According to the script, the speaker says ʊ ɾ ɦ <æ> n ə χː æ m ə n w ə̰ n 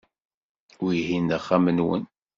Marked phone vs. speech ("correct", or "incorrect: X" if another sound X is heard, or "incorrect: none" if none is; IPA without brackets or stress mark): incorrect: i